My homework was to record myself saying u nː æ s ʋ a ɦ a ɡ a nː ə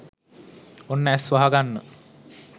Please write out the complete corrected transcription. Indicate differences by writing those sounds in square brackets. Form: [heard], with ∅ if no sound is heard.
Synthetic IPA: [o] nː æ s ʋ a ɦ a ɡ a nː ə